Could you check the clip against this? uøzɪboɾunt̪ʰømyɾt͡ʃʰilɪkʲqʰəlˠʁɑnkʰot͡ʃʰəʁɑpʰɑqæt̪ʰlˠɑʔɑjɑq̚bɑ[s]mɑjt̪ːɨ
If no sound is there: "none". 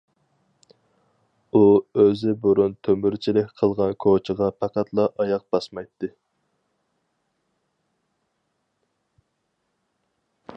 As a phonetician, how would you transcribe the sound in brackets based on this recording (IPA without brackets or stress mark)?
s